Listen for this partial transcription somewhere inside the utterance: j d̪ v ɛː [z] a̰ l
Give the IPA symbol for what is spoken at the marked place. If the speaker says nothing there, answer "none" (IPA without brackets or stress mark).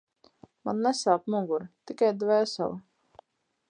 s